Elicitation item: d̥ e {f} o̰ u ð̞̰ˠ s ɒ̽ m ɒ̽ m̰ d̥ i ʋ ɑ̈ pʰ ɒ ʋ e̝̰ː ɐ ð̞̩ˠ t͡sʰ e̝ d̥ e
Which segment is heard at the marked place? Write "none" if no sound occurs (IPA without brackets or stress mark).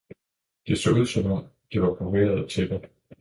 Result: s